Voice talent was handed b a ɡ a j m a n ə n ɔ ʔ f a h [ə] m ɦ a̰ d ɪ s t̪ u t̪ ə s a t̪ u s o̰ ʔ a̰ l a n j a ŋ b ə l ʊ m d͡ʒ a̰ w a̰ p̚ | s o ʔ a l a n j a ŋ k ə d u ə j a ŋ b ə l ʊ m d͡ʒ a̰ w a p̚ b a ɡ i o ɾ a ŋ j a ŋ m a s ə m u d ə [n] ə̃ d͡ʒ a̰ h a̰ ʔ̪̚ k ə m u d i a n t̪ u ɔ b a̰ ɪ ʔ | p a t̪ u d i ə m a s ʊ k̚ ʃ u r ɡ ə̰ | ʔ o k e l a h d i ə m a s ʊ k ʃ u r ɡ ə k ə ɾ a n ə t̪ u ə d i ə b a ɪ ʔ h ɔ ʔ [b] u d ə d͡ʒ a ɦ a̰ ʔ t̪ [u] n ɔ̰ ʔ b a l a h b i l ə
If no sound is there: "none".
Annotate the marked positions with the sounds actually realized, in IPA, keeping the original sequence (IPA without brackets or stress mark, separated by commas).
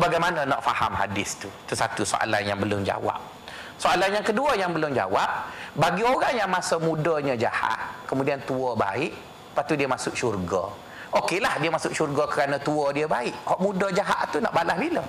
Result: a, ɲ, m, u